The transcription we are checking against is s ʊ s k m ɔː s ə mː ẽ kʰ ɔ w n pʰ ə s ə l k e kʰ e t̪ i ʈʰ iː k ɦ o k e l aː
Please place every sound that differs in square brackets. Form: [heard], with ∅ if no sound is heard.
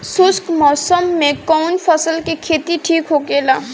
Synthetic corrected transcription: s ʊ s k m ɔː s ə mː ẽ [k] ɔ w n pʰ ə s ə l k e kʰ e t̪ i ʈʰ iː k ɦ o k e l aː